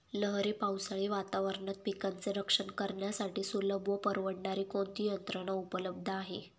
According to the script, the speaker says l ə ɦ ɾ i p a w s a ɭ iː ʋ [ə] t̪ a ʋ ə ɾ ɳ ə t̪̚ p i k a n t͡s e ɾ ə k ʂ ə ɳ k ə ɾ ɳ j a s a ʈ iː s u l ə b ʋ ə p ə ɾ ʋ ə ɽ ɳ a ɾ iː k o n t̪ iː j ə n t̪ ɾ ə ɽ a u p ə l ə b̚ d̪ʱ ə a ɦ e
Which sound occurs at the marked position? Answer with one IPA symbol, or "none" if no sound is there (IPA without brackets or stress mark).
a